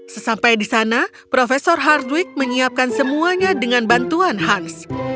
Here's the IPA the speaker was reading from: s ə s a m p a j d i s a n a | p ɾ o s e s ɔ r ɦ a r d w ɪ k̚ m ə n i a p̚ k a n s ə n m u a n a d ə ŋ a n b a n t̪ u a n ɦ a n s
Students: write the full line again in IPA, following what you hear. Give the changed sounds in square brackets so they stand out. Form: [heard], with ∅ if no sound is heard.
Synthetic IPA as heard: s ə s a m p a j d i s a n a | p ɾ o [f] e s ɔ r ɦ a r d w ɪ k̚ m ə [ɲ] i a p̚ k a n s ə [∅] m u a [ɲ] a d ə ŋ a n b a n t̪ u a n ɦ a n s